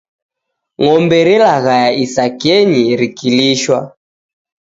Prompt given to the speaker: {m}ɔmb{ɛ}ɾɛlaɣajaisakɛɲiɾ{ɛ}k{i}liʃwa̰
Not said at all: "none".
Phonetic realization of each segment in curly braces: ŋ, ɛ, i, i

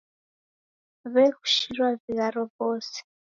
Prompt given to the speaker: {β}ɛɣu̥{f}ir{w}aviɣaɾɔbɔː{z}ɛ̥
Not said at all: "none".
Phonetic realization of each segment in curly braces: β, ʃ, w, s

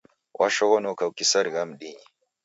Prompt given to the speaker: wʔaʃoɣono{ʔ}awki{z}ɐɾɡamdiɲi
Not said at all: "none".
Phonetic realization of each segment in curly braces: k, s

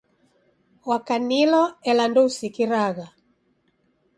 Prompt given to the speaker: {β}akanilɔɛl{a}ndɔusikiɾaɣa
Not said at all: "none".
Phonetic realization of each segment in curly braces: w, a

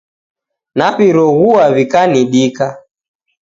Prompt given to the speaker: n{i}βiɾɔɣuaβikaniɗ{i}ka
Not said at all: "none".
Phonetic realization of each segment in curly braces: a, i

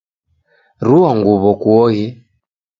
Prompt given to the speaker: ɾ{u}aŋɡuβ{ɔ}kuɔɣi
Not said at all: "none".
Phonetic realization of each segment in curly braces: u, ɔ

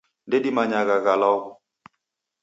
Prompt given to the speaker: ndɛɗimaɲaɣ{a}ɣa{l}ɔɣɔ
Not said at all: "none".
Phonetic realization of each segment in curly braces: a, l

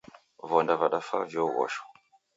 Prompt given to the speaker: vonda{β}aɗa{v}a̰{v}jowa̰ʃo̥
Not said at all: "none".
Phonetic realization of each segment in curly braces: v, f, v

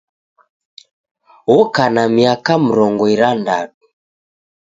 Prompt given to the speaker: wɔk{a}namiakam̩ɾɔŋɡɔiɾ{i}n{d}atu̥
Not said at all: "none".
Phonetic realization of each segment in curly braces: a, a, d

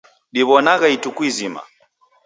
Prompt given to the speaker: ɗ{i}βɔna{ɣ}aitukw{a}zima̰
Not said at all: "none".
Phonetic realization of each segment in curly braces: i, ɣ, i

